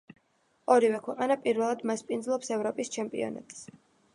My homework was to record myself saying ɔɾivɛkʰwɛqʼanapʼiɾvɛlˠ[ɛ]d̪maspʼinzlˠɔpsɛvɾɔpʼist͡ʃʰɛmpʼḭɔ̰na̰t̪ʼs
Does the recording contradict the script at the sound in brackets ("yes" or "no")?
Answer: yes